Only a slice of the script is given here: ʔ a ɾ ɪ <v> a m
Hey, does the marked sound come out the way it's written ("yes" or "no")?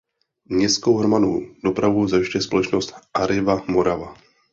yes